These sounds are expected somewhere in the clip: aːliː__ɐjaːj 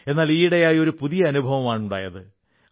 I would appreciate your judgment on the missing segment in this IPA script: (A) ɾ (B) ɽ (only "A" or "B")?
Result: B